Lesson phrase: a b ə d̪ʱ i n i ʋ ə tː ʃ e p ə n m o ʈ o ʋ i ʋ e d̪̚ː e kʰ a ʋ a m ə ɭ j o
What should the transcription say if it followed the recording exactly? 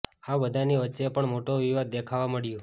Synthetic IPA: a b ə d̪ʱ a n i ʋ ə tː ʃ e p ə ɳ m o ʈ o ʋ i ʋ a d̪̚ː e kʰ a ʋ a m ə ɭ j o